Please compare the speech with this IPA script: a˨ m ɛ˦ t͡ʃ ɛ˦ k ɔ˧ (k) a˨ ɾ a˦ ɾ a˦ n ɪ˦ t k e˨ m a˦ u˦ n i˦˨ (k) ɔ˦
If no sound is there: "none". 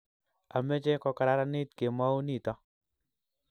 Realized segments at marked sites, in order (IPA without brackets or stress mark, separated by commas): k, t